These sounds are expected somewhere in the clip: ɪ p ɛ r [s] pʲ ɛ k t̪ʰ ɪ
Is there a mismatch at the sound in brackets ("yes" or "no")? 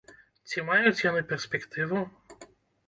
no